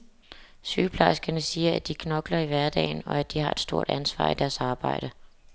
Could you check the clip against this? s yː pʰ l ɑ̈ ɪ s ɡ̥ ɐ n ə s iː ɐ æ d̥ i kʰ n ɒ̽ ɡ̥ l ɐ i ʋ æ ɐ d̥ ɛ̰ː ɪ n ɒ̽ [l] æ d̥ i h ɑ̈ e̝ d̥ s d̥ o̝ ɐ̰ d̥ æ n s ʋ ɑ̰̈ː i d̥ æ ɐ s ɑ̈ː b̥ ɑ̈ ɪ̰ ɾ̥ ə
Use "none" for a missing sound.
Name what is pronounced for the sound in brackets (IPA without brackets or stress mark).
none